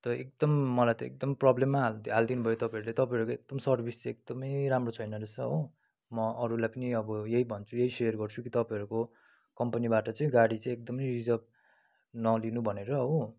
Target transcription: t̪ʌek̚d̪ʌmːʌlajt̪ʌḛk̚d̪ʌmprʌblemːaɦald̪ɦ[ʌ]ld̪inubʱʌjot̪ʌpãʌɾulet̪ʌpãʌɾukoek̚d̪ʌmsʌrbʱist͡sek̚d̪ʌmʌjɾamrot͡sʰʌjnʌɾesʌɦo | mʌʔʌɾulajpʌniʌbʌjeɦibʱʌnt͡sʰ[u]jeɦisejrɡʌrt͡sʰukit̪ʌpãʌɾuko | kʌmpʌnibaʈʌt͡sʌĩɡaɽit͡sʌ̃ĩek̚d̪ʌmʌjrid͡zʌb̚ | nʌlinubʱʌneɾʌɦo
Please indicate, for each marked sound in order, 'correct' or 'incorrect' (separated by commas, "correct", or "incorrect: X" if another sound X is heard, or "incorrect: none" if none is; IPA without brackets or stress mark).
incorrect: a, correct